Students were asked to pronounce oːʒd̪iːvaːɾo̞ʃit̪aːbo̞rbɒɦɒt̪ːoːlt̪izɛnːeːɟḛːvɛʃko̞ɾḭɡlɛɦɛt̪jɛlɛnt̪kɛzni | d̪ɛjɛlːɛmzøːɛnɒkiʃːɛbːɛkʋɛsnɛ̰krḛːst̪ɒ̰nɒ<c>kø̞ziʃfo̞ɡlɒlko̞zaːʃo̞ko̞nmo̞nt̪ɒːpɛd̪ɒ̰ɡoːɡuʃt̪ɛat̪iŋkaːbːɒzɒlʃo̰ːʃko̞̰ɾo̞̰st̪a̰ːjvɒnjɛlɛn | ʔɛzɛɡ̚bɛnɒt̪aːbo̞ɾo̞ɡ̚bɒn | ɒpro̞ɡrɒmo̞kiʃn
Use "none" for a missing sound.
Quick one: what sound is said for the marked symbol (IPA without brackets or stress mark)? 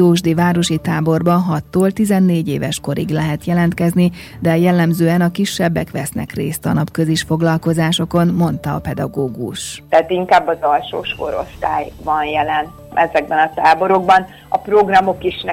p